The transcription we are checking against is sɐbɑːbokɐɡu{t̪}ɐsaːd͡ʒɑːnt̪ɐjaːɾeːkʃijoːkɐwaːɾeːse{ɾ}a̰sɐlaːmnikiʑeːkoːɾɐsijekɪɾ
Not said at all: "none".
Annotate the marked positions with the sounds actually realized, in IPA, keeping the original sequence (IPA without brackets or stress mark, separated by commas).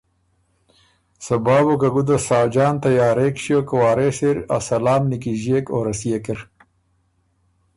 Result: d̪, ɾ